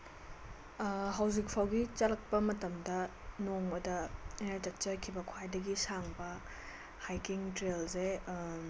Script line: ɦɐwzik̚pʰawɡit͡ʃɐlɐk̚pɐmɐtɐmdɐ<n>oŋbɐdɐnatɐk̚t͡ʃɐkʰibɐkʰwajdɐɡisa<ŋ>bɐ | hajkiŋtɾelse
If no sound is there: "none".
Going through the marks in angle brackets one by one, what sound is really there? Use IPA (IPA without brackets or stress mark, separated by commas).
n, ŋ